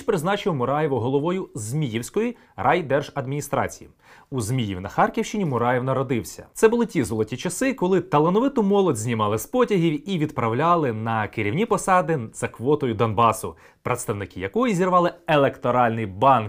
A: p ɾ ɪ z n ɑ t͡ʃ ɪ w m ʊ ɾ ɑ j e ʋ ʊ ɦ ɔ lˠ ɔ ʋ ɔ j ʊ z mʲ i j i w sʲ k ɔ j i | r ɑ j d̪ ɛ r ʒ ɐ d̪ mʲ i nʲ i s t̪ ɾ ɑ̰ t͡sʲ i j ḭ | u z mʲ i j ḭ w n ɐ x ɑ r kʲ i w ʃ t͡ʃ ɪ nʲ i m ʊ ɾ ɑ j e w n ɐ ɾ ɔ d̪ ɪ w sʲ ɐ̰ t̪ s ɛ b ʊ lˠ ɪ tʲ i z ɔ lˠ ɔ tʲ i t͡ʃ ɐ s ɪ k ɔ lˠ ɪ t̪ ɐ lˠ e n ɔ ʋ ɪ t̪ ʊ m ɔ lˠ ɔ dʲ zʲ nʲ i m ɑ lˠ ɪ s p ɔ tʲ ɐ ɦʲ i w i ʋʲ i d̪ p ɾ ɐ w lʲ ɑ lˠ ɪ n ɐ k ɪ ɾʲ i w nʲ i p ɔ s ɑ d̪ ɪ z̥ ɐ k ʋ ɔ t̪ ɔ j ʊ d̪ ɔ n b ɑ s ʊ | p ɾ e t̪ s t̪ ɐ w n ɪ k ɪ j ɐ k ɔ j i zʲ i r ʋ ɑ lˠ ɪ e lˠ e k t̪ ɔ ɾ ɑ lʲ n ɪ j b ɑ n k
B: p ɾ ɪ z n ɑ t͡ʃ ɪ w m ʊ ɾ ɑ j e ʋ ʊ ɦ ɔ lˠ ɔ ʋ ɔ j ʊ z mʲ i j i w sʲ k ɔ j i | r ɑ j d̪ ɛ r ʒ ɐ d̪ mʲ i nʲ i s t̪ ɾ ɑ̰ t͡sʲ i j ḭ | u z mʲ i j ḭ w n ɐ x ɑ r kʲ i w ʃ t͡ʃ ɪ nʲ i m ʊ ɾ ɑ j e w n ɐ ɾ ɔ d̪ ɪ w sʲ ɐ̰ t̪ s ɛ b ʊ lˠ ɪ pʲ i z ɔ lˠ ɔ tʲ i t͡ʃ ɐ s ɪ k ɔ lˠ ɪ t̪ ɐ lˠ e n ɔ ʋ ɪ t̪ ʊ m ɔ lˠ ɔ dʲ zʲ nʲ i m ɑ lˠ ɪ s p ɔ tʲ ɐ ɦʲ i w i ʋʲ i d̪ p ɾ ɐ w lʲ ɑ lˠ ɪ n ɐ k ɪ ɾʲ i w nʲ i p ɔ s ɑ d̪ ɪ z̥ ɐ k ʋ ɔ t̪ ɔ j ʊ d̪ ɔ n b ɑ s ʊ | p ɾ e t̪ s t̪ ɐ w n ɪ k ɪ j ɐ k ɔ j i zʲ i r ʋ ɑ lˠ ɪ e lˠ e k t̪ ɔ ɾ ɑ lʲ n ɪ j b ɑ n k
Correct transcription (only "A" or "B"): A